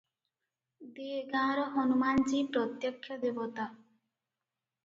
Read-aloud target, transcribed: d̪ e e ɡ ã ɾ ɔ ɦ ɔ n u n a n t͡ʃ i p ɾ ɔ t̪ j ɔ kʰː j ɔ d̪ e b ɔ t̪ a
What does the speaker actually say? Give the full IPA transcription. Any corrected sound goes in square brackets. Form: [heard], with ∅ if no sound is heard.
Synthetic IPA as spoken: d̪ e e ɡ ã ɾ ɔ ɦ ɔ n u [m] a n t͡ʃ i p ɾ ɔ t̪ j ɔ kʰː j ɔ d̪ e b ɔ t̪ a